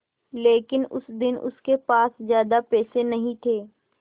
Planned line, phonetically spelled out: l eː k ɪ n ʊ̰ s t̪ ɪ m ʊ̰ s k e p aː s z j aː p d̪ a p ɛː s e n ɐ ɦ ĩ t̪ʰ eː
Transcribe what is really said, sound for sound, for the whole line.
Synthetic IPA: l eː k ɪ n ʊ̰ s d̪ ɪ n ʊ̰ s k e p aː s z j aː d̪ a p ɛː s e n ɐ ɦ ĩ t̪ʰ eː